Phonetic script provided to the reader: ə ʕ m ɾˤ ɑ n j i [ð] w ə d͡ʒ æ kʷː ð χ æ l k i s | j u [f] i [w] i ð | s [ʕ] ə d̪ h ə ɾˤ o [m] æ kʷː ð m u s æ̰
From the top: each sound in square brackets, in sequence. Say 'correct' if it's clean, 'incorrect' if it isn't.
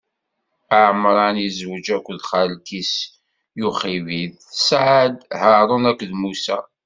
incorrect: z, incorrect: χ, incorrect: v, correct, incorrect: n

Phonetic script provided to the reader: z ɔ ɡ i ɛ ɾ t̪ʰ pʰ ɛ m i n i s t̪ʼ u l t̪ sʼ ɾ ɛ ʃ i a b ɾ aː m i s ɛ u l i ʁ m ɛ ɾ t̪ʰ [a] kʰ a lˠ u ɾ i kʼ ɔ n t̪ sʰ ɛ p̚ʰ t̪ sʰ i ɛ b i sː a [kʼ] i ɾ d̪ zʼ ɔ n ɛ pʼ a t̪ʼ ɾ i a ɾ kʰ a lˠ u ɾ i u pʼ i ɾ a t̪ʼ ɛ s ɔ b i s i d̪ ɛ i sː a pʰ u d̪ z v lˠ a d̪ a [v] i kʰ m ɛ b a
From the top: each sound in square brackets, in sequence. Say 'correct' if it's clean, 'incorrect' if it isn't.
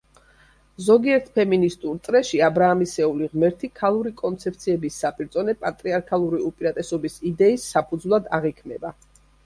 incorrect: i, incorrect: pʼ, incorrect: ʁ

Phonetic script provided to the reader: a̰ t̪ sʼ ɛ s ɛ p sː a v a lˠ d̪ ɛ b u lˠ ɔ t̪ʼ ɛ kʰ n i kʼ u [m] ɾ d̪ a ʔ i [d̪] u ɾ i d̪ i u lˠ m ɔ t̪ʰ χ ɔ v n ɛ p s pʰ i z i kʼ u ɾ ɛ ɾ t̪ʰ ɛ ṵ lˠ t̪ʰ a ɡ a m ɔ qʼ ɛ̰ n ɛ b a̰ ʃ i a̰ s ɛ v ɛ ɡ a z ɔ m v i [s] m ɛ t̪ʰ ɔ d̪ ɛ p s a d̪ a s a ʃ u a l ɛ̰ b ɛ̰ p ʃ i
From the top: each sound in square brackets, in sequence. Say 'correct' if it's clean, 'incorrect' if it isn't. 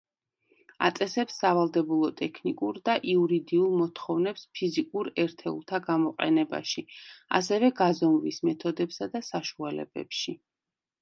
incorrect: none, incorrect: none, correct

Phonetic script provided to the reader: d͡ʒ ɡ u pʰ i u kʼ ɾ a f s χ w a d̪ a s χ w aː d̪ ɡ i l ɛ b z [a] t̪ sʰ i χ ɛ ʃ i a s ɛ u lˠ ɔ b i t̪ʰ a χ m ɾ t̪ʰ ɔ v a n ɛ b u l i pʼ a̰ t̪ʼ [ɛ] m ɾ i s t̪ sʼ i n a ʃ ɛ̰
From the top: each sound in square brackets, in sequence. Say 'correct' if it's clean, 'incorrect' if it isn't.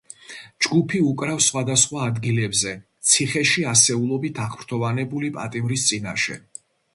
incorrect: ɛ, incorrect: i

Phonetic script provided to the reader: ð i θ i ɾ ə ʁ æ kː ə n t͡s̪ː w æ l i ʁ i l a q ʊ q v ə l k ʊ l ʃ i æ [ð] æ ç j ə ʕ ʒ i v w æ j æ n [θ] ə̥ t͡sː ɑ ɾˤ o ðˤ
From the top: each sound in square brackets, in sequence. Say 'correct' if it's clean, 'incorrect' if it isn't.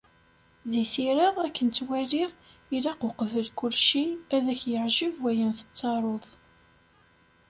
correct, correct

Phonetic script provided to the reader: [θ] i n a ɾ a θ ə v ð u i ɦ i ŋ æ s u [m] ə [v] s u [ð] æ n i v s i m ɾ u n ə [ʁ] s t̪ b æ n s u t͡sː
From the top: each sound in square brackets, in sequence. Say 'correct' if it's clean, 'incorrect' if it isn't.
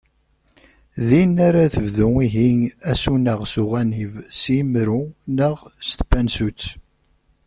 incorrect: ð, incorrect: n, incorrect: ʁ, incorrect: ʁ, correct

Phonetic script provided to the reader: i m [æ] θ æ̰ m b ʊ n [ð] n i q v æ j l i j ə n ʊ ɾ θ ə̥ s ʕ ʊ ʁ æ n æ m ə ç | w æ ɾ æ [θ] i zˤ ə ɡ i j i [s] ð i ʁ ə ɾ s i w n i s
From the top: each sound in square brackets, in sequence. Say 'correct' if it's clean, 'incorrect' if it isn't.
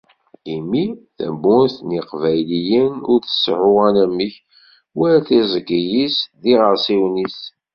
incorrect: i, incorrect: θ, correct, correct

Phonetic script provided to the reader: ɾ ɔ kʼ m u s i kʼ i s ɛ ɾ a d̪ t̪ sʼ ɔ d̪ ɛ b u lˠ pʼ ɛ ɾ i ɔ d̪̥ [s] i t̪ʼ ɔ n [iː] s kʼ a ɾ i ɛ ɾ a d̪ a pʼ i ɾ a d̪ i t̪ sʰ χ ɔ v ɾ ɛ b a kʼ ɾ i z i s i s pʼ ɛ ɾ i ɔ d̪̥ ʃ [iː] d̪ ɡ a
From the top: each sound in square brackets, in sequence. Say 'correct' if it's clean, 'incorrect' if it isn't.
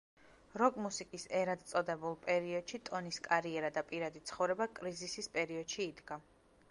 incorrect: ʃ, incorrect: i, correct

